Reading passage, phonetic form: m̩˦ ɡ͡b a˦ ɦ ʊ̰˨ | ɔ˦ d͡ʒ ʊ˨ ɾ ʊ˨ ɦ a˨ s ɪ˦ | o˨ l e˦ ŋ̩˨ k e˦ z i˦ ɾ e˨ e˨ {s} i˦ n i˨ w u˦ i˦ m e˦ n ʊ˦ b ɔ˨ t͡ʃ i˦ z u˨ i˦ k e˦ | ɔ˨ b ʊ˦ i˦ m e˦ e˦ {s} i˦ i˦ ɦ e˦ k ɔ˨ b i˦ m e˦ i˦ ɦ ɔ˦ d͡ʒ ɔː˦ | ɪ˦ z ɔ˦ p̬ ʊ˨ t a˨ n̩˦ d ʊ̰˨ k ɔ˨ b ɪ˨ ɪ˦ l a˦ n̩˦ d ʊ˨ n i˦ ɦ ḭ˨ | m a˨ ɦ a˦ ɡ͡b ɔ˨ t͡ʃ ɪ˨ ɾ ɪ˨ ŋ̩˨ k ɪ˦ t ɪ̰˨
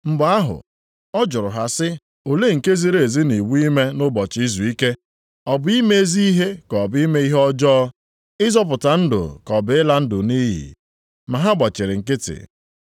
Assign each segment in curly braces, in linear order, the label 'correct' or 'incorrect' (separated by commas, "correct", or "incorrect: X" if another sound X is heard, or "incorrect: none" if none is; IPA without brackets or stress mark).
incorrect: z, incorrect: z